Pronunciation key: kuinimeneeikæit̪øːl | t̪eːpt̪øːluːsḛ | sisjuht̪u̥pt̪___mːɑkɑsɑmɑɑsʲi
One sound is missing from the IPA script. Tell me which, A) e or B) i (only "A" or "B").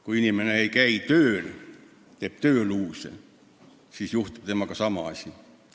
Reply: A